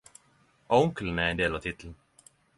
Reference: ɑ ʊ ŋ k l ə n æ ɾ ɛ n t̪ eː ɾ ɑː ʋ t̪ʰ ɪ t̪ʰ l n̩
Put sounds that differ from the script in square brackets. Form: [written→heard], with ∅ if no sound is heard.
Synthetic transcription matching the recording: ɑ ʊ ŋ k l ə n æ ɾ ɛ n [t̪→d̪] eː [ɾ→l] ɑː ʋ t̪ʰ ɪ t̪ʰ l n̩